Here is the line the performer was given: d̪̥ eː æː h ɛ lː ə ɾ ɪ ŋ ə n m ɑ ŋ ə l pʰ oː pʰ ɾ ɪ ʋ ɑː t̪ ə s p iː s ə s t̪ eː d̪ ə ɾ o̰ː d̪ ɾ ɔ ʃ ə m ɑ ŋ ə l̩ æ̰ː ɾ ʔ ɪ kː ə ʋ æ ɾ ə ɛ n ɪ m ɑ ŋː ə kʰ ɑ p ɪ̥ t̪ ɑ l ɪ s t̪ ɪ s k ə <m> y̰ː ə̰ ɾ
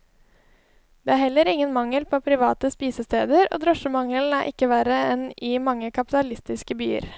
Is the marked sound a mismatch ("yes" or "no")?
yes